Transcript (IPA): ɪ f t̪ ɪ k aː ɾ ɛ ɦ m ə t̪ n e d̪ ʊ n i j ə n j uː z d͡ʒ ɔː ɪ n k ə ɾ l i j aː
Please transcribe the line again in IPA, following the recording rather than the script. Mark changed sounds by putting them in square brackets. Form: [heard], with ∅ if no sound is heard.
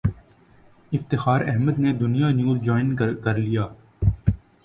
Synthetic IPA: ɪ f t̪ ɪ [x] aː ɾ ɛ ɦ m ə [d̪] n e d̪ ʊ n i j [a] n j uː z d͡ʒ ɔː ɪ n k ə ɾ l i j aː